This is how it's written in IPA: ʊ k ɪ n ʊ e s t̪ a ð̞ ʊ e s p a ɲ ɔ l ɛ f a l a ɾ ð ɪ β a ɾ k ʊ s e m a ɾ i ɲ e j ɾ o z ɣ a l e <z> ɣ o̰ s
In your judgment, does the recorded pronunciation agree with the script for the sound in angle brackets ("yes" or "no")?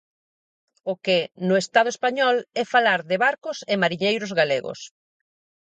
no